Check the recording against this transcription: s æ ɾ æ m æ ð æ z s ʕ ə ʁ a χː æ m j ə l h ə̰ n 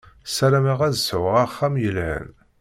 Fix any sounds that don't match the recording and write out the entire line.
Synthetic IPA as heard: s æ ɾ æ m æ ʁ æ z s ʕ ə ʁ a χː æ m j ə l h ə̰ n